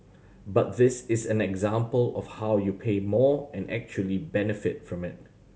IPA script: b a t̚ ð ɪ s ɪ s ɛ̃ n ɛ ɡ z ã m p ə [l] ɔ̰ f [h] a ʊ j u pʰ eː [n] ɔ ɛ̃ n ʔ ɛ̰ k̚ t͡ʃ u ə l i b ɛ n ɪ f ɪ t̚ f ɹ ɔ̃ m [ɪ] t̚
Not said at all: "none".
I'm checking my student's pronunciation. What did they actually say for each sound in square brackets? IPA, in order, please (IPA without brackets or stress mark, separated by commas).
l, h, m, ɪ